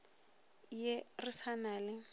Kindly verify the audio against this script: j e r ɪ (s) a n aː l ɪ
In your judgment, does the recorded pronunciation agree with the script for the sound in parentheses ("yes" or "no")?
yes